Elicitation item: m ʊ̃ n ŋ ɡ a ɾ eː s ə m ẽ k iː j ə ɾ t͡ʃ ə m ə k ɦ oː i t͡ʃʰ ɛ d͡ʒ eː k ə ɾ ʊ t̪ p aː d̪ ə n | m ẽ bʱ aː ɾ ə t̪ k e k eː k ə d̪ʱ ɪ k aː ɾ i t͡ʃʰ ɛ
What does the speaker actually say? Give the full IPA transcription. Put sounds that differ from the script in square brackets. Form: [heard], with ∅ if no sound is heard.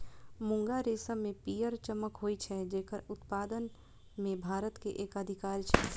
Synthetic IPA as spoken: m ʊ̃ [∅] ŋ ɡ a ɾ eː s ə m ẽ [p] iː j ə ɾ t͡ʃ ə m ə k ɦ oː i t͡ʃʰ ɛ d͡ʒ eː k ə ɾ ʊ t̪ p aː d̪ ə n | m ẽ bʱ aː ɾ ə t̪ k e [ʔ] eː k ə d̪ʱ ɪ k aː ɾ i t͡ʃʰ ɛ